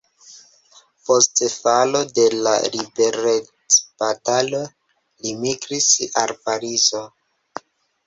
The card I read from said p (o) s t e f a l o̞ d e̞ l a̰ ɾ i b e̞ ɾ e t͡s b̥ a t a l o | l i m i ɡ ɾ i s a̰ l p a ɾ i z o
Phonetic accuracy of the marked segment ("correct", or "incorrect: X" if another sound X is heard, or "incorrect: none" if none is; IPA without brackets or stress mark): correct